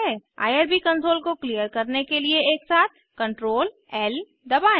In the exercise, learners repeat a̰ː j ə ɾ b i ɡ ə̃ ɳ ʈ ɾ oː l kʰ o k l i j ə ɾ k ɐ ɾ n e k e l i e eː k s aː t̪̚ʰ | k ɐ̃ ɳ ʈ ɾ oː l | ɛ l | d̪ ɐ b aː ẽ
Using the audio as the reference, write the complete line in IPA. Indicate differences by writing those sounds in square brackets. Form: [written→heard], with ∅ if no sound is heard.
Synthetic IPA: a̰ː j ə ɾ b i [ɡ→k] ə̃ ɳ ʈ ɾ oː l [kʰ→k] o k l i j ə ɾ k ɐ ɾ n e k e l i e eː k s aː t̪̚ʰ | k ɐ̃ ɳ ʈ ɾ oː l | ɛ l | d̪ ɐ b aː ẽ